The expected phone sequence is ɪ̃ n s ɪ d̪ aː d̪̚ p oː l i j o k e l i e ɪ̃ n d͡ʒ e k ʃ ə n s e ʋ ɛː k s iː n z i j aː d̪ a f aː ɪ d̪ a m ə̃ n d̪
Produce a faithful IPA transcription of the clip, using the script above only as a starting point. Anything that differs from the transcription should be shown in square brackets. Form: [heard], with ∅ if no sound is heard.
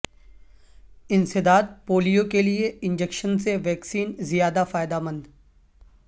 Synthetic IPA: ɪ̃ n s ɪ d̪ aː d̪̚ p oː l i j o k e l i e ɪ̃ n d͡ʒ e k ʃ ə n s e ʋ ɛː k s iː n z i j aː d̪ a f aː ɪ d̪ a m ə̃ n d̪